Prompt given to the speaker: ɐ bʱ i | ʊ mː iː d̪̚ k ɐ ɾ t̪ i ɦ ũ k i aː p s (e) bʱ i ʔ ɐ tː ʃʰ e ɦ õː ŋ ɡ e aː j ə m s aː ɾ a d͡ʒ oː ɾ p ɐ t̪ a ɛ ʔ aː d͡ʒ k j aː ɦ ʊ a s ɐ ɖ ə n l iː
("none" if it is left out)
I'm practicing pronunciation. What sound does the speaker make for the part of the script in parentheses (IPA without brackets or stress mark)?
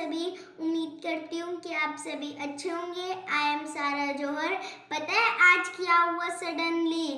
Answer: e